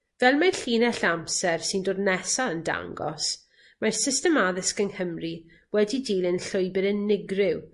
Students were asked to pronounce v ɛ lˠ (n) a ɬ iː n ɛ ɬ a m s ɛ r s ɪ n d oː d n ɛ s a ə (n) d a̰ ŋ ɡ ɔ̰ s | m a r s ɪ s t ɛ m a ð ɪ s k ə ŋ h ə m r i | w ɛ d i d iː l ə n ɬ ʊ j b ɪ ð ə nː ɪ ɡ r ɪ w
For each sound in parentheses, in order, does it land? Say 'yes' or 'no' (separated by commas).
no, yes